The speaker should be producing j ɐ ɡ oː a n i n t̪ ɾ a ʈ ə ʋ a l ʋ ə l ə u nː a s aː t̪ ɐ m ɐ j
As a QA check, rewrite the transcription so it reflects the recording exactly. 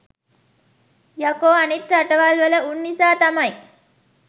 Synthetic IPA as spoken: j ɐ k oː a n i t̪ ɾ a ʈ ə ʋ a l ʋ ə l ə u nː i s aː t̪ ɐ m ɐ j